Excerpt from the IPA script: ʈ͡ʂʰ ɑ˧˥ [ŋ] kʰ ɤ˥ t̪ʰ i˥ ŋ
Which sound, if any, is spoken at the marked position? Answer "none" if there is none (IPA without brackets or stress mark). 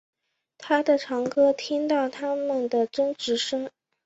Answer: ŋ